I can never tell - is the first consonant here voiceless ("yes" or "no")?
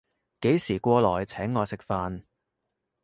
yes